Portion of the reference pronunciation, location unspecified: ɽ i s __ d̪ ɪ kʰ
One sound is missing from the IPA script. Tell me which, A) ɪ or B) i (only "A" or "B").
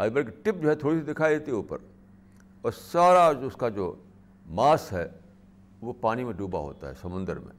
B